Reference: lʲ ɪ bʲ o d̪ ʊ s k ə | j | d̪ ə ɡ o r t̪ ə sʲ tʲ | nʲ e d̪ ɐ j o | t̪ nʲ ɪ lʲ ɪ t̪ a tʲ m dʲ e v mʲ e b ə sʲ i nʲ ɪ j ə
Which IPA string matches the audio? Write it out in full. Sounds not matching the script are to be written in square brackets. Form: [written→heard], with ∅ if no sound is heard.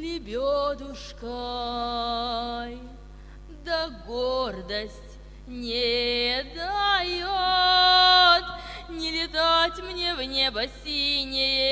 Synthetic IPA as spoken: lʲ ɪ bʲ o d̪ ʊ [s→ʂ] k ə | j | d̪ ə ɡ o r [t̪→d̪] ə sʲ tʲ | nʲ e d̪ [ɐ→a] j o | t̪ nʲ ɪ lʲ ɪ t̪ a tʲ m [dʲ→nʲ] e v [mʲ→nʲ] e b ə sʲ i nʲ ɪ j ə